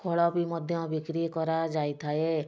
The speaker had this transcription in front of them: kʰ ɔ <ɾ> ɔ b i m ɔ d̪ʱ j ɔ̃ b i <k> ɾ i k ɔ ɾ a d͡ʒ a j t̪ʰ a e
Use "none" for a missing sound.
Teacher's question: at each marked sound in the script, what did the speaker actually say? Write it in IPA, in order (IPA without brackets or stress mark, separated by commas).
ɭ, k